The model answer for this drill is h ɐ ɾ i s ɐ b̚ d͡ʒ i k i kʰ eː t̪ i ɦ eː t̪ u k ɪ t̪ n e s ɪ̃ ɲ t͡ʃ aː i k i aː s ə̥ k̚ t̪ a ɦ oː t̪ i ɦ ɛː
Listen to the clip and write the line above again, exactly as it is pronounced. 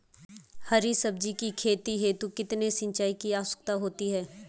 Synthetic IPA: h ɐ ɾ i s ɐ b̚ d͡ʒ i k i kʰ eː t̪ i ɦ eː t̪ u k ɪ t̪ n e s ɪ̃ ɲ t͡ʃ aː i k i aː s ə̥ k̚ t̪ a ɦ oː t̪ i ɦ ɛː